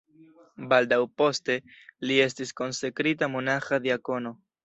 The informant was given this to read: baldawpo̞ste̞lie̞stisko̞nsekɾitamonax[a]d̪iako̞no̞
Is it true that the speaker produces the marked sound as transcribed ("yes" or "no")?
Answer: yes